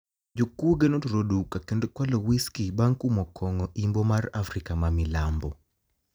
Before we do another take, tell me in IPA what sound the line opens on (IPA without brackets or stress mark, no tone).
d͡ʒ